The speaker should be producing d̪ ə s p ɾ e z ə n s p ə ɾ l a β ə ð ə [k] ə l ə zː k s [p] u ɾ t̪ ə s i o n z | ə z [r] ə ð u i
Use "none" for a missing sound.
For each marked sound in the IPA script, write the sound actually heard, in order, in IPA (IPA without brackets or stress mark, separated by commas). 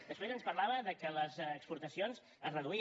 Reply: k, p, r